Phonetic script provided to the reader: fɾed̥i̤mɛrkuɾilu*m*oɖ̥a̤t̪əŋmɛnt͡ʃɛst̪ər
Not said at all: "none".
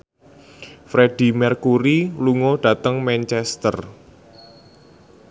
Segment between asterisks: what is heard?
ŋ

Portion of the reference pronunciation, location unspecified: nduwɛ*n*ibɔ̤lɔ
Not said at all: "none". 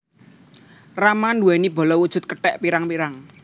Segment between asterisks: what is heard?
n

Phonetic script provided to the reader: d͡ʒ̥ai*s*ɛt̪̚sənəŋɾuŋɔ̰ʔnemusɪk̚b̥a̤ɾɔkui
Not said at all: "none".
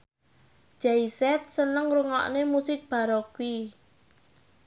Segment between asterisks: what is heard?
s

